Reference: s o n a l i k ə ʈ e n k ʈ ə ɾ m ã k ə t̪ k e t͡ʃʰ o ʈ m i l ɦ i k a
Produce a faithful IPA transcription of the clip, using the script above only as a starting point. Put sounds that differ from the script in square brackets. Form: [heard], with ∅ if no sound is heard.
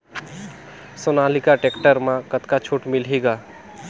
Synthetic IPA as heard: s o n a l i k [a] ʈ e [∅] k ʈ ə ɾ m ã k ə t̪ k [a] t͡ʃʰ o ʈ m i l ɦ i [ɡ] a